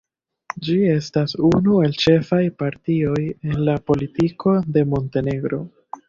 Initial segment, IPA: d͡ʒ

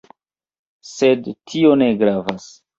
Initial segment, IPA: s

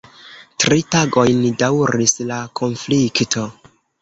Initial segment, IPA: t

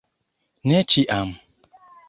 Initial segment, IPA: n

